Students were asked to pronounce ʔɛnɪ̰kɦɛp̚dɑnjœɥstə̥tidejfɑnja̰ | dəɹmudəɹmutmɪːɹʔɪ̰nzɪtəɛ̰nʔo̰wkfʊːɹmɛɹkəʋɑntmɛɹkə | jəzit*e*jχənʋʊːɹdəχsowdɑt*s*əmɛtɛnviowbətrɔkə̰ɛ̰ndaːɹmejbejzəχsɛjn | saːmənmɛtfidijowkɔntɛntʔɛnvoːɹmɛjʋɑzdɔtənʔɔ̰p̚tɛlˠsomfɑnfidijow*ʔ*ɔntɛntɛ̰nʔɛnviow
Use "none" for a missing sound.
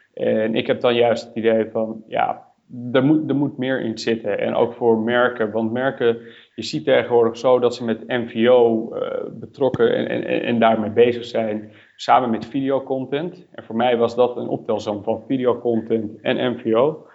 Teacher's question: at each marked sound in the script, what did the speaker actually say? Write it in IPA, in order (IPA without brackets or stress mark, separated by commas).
e, s, k